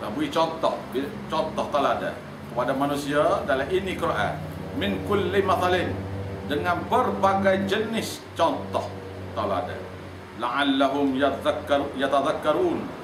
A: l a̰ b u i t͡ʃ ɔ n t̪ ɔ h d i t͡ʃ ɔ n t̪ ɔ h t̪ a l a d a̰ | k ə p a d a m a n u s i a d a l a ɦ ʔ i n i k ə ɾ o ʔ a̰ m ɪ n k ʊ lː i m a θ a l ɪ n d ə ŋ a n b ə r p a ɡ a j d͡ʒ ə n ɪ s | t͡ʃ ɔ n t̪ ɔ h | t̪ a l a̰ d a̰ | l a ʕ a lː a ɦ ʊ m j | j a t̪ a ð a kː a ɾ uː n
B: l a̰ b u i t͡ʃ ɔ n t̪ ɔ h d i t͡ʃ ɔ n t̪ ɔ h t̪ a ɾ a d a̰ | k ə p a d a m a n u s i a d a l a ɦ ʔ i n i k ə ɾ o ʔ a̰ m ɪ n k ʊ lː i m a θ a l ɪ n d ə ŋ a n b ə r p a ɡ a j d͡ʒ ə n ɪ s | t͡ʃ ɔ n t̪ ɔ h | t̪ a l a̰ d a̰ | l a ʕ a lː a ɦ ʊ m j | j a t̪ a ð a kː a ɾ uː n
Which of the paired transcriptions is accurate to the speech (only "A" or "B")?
A